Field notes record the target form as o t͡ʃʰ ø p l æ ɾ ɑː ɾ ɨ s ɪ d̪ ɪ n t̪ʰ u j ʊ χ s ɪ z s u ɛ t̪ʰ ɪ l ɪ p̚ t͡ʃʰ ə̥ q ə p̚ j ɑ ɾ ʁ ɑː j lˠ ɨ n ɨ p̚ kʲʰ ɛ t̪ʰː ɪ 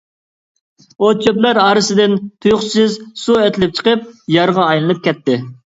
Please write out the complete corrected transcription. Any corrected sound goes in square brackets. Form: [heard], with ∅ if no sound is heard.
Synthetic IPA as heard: o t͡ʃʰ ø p l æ ɾ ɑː ɾ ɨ s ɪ d̪ ɪ n t̪ʰ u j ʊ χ s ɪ z s u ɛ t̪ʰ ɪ l ɪ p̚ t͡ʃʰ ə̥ q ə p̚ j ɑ ɾ ʁ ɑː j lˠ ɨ n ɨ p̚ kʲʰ ɛ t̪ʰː ɪ